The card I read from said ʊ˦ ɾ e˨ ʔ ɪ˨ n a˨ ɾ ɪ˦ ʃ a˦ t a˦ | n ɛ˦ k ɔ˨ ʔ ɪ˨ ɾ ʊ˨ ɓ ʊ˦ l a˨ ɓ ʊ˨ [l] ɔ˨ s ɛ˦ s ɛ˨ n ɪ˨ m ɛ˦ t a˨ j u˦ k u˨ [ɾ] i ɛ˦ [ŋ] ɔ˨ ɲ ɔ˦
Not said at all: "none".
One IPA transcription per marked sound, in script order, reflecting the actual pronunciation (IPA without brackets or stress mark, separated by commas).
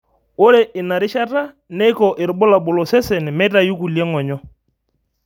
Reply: l, l, ŋ